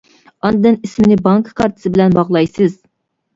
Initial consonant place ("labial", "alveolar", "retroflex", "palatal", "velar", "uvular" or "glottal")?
alveolar